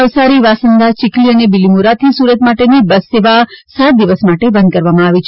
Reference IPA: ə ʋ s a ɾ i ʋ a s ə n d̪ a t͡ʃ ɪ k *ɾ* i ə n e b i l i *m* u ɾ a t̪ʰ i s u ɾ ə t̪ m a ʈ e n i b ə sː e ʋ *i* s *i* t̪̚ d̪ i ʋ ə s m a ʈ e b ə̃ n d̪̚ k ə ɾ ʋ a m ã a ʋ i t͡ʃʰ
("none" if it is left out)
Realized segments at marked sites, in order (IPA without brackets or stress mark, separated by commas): l, m, a, a